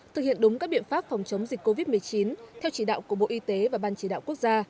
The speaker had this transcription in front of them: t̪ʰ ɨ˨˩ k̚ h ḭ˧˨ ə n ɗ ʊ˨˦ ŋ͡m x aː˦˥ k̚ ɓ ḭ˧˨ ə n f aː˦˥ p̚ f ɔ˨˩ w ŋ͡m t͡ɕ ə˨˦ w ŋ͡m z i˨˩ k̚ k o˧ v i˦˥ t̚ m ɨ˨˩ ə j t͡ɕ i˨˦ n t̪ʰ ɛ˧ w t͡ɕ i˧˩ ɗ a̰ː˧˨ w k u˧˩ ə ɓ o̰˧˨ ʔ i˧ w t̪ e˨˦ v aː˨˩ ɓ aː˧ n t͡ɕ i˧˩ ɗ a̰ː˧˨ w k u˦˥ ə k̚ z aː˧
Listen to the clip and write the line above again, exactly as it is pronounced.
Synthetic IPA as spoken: t̪ʰ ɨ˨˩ k̚ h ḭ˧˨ ə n ɗ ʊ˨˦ ŋ͡m k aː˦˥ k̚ ɓ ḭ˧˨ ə n f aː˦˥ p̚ f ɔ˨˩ w ŋ͡m t͡ɕ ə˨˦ w ŋ͡m z i˨˩ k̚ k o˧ v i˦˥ t̚ m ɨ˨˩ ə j t͡ɕ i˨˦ n t̪ʰ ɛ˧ w t͡ɕ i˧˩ ɗ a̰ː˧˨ w k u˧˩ ə ɓ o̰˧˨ ʔ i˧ t̪ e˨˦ v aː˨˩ ɓ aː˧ n t͡ɕ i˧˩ ɗ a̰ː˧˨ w k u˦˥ ə k̚ z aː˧